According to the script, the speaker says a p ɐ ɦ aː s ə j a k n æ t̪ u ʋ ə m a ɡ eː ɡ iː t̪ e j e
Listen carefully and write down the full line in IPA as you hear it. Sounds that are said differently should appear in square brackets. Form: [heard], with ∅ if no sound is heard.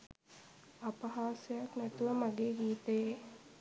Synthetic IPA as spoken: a p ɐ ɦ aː s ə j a k n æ t̪ u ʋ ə m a ɡ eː ɡ iː t̪ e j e